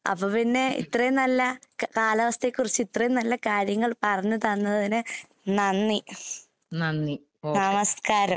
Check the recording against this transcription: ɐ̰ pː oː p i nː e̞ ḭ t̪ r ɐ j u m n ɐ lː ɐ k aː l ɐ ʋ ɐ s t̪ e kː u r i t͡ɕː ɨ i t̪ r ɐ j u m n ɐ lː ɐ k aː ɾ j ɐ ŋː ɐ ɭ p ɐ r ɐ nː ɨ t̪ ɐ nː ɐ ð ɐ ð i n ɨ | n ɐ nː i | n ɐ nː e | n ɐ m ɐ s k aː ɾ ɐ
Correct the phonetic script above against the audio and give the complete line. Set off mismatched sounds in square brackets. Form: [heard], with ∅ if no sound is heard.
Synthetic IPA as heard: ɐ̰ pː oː p i nː e̞ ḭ t̪ r ɐ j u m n ɐ lː ɐ k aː l ɐ ʋ ɐ s t̪ e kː u r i t͡ɕː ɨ i t̪ r ɐ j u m n ɐ lː ɐ k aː ɾ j ɐ ŋː ɐ ɭ p ɐ r ɐ [ɲː] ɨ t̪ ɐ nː ɐ ð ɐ ð i n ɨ | n ɐ nː i | n ɐ nː [i] | n ɐ m ɐ s k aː ɾ ɐ

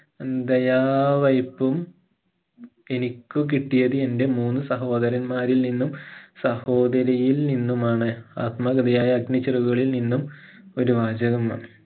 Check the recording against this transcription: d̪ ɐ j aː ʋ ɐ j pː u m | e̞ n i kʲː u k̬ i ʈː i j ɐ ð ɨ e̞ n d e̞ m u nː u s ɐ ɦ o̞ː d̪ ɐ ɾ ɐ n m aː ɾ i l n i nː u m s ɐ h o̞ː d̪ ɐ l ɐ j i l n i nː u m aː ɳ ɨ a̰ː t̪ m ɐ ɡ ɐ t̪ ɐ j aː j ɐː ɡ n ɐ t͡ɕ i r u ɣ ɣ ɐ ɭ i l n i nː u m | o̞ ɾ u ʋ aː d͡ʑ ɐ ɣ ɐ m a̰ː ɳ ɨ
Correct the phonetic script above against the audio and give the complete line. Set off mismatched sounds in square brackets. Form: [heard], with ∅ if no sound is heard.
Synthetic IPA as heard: d̪ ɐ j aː ʋ ɐ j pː u m | e̞ n i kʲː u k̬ i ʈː i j ɐ ð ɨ e̞ n d e̞ m [uː] nː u s ɐ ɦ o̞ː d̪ ɐ ɾ ɐ n m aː ɾ i l n i nː u m s ɐ h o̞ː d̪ ɐ [ɾ] ɐ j i l n i nː u m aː ɳ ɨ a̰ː t̪ m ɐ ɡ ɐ [d̪] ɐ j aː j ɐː ɡ n ɐ t͡ɕ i r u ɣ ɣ ɐ ɭ i l n i nː u m | o̞ ɾ u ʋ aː d͡ʑ ɐ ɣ ɐ m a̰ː ɳ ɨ

